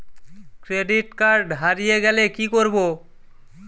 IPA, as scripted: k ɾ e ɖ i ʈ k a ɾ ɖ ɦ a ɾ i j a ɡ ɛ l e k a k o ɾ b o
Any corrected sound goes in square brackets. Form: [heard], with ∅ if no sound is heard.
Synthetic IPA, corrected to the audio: k ɾ e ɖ i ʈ k a ɾ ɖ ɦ a ɾ i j [e] ɡ ɛ l e k [i] k o ɾ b o

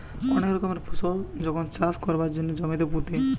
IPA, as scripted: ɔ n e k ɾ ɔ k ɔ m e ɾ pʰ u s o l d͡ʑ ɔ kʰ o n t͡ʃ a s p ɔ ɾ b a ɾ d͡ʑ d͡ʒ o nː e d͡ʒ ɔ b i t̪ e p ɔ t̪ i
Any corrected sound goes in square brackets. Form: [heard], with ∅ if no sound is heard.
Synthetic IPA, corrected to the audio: ɔ n e k ɾ ɔ k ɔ m e ɾ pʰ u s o l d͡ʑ ɔ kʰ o n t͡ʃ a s [k] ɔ ɾ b a ɾ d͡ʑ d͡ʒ o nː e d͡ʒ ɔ [m] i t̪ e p [u] t̪ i

